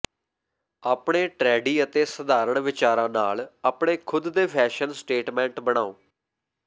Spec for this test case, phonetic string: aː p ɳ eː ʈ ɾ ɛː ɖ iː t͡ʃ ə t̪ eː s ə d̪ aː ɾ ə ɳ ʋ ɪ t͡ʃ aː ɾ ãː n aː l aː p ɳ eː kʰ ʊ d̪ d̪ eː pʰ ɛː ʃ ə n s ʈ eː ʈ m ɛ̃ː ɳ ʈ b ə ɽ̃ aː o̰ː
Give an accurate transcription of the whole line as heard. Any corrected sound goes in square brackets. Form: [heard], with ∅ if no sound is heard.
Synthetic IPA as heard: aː p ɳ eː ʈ ɾ ɛː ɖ iː [∅] ə t̪ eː s ə d̪ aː ɾ ə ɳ ʋ ɪ t͡ʃ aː ɾ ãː n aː l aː p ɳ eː kʰ ʊ d̪ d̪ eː pʰ ɛː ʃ ə n s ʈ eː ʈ m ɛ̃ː ɳ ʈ b ə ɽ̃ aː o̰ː

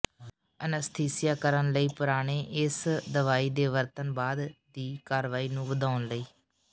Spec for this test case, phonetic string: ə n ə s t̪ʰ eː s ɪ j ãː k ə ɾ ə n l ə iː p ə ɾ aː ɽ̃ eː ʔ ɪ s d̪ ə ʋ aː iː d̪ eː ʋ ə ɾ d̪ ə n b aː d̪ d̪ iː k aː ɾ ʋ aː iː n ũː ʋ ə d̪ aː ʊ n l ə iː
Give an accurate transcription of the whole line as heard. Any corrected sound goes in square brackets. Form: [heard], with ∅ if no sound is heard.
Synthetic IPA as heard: ə n ə s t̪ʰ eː s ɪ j [aː] k ə ɾ ə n l ə iː p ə ɾ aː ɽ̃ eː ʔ ɪ s d̪ ə ʋ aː iː d̪ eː ʋ ə ɾ [t̪] ə n b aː d̪ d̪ iː k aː ɾ ʋ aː iː n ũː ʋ ə d̪ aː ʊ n l ə iː

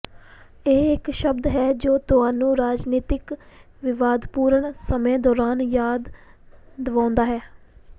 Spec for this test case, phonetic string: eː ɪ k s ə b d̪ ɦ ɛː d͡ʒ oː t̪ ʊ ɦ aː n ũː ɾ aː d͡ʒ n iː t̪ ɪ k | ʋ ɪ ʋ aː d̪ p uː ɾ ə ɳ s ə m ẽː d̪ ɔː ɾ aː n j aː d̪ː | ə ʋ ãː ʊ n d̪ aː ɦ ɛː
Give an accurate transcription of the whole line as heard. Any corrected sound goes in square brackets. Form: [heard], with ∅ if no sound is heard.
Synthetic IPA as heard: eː ɪ k [ʃ] ə b d̪ ɦ ɛː d͡ʒ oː t̪ ʊ ɦ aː n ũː ɾ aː d͡ʒ n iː t̪ ɪ k | ʋ ɪ ʋ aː d̪ p uː ɾ ə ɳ s ə m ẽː d̪ ɔː ɾ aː n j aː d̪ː | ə ʋ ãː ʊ n d̪ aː ɦ ɛː

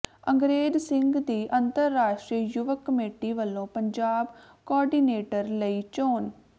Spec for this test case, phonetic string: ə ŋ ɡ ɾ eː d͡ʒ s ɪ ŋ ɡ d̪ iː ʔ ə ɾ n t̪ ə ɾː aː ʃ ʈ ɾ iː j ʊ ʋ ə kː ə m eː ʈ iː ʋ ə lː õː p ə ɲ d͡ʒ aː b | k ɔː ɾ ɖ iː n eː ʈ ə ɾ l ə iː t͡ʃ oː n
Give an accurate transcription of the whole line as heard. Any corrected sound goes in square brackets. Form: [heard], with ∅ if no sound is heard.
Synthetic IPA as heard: ə ŋ ɡ ɾ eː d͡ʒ s ɪ ŋ ɡ d̪ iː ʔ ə [∅] n t̪ ə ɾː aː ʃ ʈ ɾ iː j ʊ ʋ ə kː ə m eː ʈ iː ʋ ə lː õː p ə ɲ d͡ʒ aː b | k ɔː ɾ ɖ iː n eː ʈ ə ɾ l ə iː t͡ʃ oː n

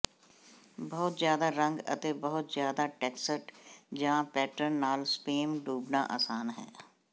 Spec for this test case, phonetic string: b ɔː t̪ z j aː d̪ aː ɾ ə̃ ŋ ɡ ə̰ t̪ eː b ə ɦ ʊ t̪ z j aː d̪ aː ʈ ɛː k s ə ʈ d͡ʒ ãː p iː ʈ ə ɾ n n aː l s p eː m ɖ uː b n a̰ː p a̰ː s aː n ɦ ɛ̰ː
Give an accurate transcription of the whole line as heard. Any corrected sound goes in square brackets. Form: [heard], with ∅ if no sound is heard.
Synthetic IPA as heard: b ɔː t̪ z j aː d̪ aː ɾ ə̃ ŋ ɡ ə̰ t̪ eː b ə ɦ ʊ t̪ z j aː d̪ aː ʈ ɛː k s ə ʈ d͡ʒ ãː p [ɛː] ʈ ə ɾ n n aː l s p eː m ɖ uː b n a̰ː [ʔ] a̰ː s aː n ɦ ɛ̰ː

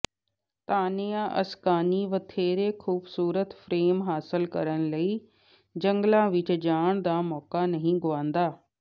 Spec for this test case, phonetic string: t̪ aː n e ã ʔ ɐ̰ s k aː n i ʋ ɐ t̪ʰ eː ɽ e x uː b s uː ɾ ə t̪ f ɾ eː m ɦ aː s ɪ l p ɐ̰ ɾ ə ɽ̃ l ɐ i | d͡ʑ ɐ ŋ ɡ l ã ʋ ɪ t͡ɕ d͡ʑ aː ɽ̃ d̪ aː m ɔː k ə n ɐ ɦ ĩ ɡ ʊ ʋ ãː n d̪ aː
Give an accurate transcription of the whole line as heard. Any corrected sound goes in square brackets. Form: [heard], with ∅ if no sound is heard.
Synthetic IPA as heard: t̪ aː n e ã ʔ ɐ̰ s k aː n i ʋ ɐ t̪ʰ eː [ɾ] e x uː b s uː ɾ ə t̪ f ɾ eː m ɦ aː s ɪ l [k] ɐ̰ ɾ ə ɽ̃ l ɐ i | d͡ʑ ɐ ŋ ɡ l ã ʋ ɪ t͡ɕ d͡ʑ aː ɽ̃ d̪ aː m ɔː k [a] n ɐ ɦ ĩ ɡ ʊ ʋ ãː n d̪ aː

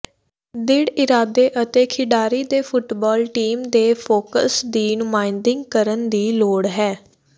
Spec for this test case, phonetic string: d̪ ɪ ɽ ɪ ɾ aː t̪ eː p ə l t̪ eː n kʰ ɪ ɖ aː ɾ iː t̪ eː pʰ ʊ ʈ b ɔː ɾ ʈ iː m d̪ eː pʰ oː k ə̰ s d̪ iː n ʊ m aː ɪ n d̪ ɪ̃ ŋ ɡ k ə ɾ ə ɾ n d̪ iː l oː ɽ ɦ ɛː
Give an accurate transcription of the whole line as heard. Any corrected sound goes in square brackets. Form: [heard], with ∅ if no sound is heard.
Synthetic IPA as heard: d̪ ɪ ɽ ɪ ɾ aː [d̪] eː [ʔ] ə [∅] t̪ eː [∅] kʰ ɪ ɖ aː ɾ iː [d̪] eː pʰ ʊ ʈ b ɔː [l] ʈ iː m d̪ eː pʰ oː k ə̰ s d̪ iː n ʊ m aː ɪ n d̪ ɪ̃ ŋ ɡ k ə ɾ ə [∅] n d̪ iː l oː ɽ ɦ ɛː

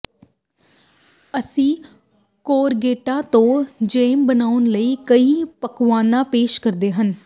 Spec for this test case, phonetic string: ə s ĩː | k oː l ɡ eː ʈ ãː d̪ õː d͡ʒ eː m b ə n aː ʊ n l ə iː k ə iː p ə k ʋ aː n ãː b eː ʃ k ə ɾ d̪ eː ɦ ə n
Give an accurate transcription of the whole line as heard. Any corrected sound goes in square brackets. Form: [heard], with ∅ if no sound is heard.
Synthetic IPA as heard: ə s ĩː | k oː [ɾ] ɡ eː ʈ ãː [t̪] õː d͡ʒ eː m b ə n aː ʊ n l ə iː k ə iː p ə k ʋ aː n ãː [p] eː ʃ k ə ɾ d̪ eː ɦ ə n

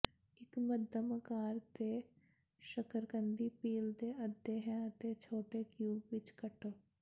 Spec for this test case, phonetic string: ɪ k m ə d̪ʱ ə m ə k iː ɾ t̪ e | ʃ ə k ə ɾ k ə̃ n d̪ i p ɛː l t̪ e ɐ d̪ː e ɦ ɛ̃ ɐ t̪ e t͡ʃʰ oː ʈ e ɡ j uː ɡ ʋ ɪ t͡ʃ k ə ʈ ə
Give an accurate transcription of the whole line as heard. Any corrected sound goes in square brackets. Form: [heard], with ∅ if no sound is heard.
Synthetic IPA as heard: ɪ k m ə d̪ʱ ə m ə k [aː] ɾ t̪ e | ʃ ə k ə ɾ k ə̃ n d̪ i p [iː] l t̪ e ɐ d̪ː e ɦ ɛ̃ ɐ t̪ e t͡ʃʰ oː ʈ e [k] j uː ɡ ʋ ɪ t͡ʃ k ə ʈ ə

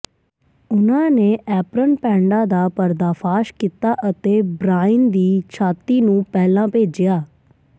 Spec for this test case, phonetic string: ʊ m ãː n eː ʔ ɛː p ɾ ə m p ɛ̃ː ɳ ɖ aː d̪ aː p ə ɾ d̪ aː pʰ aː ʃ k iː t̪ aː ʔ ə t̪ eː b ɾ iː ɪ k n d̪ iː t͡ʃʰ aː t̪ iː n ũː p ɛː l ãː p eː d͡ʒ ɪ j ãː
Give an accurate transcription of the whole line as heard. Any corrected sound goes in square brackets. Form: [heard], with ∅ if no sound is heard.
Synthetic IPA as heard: ʊ [n] ãː n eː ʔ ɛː p ɾ ə [n] p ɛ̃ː ɳ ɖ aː d̪ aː p ə ɾ d̪ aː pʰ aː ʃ k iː t̪ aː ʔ ə t̪ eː b ɾ [aː] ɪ [∅] n d̪ iː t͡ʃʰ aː t̪ iː n ũː p ɛː l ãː p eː d͡ʒ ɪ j [aː]

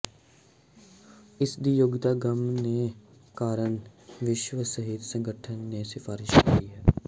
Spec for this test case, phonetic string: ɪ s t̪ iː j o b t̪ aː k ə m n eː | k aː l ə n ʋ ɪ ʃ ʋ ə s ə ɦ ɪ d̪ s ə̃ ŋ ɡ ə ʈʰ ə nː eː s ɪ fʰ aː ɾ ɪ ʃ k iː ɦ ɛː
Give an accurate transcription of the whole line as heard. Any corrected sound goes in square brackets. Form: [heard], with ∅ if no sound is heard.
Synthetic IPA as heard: ɪ s [d̪] iː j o [ɡ] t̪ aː [ɡ] ə m n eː | k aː [ɾ] ə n ʋ ɪ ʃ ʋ ə s ə ɦ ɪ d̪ s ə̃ ŋ ɡ ə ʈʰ ə nː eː s ɪ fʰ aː ɾ ɪ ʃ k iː ɦ ɛː

